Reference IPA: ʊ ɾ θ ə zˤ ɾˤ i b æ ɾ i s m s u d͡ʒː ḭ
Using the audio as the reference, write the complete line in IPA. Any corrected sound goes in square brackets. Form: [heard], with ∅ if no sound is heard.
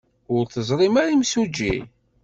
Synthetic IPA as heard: ʊ ɾ θ ə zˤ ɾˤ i [m] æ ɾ i [∅] m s u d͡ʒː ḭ